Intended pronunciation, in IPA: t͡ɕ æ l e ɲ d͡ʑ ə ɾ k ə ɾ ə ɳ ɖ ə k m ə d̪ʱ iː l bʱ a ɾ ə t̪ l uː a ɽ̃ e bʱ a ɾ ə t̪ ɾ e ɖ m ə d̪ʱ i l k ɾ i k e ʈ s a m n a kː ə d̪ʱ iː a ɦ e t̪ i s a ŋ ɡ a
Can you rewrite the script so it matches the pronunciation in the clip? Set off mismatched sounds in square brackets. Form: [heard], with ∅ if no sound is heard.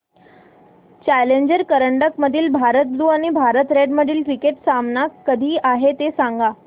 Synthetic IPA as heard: t͡ɕ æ l e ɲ d͡ʑ ə ɾ k ə ɾ ə ɳ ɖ ə k m ə d̪ʱ iː l bʱ a ɾ ə t̪ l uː a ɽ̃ [i] bʱ a ɾ ə t̪ ɾ e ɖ m ə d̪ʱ [iː] l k ɾ i k e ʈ s a m n a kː ə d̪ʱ iː a ɦ e t̪ [e] s a ŋ ɡ a